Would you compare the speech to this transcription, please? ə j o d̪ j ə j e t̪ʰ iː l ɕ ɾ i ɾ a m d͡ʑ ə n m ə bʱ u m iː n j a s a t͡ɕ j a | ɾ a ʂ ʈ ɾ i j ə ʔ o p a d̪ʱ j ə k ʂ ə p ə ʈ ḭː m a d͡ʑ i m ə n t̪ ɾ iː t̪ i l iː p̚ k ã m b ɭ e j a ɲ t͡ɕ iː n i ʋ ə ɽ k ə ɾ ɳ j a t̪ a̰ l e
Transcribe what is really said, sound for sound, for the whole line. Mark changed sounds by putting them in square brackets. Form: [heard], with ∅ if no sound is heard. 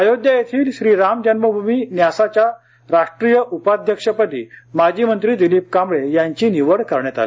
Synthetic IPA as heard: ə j o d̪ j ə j e t̪ʰ iː l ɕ ɾ i ɾ a m d͡ʑ ə n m ə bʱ u m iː n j a s a t͡ɕ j a | ɾ a ʂ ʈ ɾ i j ə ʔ [u] p a d̪ʱ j ə k ʂ ə p ə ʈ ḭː m a d͡ʑ i m ə n t̪ ɾ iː [d̪] i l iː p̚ k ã m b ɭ e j a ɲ t͡ɕ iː n i ʋ ə ɽ k ə ɾ ɳ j a t̪ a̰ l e